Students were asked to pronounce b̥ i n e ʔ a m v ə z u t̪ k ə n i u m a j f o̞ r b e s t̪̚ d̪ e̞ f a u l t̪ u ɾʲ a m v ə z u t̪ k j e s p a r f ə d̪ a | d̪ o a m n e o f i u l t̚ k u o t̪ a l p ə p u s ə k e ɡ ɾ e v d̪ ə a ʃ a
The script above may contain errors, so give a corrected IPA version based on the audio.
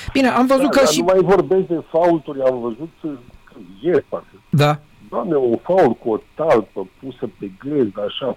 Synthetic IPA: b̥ i n e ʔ a m v ə z u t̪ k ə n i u m a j v o̞ r b e s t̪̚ d̪ e̞ f a u l t̪ u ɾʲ a m v ə z u t̪ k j e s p a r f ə d̪ a | d̪ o a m n e o f a u l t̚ k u o t̪ a l p ə p u s ə p e ɡ l e z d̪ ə a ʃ a